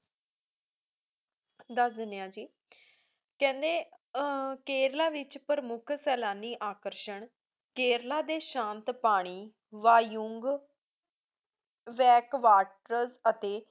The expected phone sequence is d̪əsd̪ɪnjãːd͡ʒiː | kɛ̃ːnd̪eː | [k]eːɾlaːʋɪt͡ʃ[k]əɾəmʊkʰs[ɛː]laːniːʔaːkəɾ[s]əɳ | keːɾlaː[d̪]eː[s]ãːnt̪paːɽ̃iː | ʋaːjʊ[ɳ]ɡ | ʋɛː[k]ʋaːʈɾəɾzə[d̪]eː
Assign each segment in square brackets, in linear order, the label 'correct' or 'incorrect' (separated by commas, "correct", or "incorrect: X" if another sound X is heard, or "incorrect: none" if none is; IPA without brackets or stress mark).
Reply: correct, incorrect: p, correct, incorrect: ʃ, correct, incorrect: ʃ, incorrect: ŋ, correct, incorrect: t̪